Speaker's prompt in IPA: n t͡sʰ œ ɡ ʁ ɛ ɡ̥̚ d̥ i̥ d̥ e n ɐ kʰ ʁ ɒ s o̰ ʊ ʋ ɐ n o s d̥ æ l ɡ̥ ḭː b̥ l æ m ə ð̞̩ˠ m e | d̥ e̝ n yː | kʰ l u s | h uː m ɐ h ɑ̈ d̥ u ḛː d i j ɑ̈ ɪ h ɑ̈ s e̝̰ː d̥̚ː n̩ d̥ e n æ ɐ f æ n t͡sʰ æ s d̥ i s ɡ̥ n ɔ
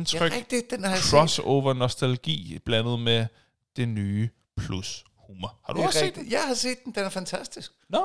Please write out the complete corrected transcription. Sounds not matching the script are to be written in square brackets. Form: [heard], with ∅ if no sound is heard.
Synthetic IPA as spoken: n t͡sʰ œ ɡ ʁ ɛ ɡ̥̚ d̥ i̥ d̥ e n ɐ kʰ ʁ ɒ s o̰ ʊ ʋ ɐ n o s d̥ æ l ɡ̥ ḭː b̥ l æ [n] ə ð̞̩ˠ m e | d̥ e̝ n yː | [pʰ] l u s | h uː m ɐ h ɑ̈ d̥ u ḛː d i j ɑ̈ ɪ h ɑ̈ s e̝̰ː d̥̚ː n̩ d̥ e n æ ɐ f æ n t͡sʰ æ s d̥ i s ɡ̥ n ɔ